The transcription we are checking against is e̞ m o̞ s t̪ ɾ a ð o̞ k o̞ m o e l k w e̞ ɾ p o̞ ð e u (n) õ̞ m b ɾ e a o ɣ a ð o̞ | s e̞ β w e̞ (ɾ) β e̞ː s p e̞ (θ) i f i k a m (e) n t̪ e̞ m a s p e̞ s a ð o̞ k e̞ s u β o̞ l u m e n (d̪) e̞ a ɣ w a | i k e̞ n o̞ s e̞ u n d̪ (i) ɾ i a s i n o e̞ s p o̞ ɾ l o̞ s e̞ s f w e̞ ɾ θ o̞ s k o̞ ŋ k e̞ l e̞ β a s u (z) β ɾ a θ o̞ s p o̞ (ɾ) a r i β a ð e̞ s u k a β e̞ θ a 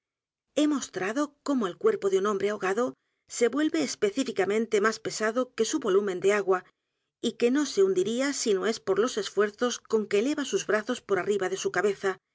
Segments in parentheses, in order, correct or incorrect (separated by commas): correct, incorrect, correct, incorrect, correct, correct, correct, correct